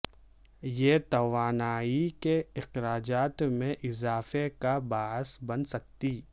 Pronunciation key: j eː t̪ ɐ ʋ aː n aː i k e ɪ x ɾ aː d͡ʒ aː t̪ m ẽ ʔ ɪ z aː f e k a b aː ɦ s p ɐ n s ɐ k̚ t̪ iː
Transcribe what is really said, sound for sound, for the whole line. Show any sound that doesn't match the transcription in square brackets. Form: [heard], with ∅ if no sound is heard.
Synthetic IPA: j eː t̪ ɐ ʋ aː n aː i k e ɪ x ɾ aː d͡ʒ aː t̪ m ẽ ʔ ɪ z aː f e k a b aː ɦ s [b] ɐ n s ɐ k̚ t̪ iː